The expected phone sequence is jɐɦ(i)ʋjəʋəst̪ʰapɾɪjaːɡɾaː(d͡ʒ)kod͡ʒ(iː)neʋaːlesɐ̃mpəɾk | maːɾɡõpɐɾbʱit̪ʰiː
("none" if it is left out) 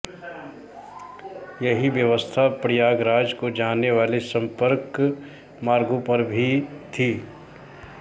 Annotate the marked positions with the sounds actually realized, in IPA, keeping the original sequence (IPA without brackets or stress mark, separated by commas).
i, d͡ʒ, aː